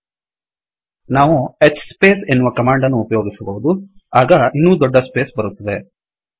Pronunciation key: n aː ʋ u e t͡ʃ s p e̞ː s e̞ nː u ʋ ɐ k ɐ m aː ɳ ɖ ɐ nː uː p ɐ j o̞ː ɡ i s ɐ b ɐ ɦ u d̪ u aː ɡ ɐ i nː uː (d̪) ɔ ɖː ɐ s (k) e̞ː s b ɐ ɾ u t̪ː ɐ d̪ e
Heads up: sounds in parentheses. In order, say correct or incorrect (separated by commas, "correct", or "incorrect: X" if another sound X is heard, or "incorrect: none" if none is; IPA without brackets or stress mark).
correct, incorrect: p